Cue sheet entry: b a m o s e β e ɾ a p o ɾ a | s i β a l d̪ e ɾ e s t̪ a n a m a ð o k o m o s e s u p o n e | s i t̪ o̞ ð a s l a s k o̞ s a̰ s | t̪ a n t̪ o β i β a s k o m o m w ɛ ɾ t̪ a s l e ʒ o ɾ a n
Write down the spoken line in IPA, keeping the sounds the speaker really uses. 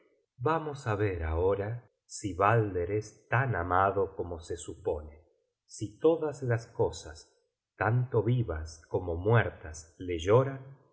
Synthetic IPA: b a m o s a β e ɾ a o ɾ a | s i β a l d̪ e ɾ e s t̪ a n a m a ð o k o m o s e s u p o n e | s i t̪ o̞ ð a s l a s k o̞ s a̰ s | t̪ a n t̪ o β i β a s k o m o m w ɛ ɾ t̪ a s l e ʒ o ɾ a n